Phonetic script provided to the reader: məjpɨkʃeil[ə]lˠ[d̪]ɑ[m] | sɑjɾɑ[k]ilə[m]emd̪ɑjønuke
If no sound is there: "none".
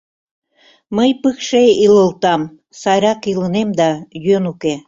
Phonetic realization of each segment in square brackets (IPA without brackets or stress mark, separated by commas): ə, t̪, m, k, n